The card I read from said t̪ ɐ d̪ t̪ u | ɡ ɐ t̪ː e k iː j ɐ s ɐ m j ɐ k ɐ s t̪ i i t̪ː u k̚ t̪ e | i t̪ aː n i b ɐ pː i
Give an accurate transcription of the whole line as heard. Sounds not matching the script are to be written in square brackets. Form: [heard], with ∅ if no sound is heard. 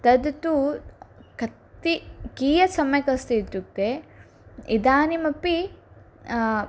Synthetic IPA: t̪ ɐ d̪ t̪ u | [k] ɐ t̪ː [i] k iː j ɐ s ɐ m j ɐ k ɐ s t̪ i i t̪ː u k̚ t̪ e | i [d̪] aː n i [m] ɐ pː i